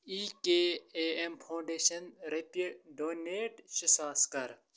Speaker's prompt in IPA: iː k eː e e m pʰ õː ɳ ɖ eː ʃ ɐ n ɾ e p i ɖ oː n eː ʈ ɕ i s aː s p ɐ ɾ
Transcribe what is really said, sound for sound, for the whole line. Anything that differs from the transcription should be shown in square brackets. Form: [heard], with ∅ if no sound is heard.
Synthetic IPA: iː k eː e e m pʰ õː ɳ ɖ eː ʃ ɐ n ɾ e p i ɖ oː n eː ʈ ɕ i s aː s [k] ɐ ɾ